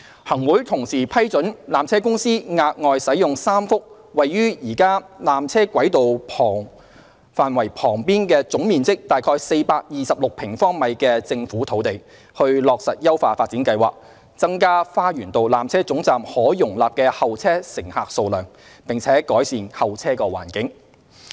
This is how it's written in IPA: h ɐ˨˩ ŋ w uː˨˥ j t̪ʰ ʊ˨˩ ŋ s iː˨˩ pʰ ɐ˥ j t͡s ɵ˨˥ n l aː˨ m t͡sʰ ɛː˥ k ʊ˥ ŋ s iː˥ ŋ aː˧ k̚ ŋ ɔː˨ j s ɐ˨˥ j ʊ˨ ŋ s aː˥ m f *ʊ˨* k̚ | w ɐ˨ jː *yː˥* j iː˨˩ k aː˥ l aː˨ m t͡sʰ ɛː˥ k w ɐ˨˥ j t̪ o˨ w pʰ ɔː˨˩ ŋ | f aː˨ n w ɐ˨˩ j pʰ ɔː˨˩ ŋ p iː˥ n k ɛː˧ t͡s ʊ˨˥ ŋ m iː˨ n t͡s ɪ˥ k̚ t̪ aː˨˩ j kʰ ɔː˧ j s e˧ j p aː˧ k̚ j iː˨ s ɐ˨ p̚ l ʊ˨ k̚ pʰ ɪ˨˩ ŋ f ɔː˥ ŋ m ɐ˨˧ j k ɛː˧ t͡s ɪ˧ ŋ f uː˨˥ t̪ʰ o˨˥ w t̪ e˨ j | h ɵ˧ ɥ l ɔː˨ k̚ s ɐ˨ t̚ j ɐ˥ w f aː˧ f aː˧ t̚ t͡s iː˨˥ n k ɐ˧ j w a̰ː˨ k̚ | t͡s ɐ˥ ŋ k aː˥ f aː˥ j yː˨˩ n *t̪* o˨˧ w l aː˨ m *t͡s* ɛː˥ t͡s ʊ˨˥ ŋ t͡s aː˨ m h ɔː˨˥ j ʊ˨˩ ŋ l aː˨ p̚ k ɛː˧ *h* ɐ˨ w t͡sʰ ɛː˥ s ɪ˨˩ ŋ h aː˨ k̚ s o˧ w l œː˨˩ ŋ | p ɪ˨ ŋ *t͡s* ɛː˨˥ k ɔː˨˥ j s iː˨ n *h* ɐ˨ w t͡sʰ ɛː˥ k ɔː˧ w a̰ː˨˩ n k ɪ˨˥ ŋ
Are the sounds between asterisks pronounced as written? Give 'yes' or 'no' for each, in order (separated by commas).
no, yes, yes, no, yes, no, yes